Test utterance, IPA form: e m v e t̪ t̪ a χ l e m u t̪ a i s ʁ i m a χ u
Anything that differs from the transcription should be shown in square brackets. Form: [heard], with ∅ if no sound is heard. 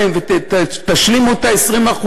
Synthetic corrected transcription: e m v e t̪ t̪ a [ʃ] l [i] m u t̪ a [e] s ʁ i m a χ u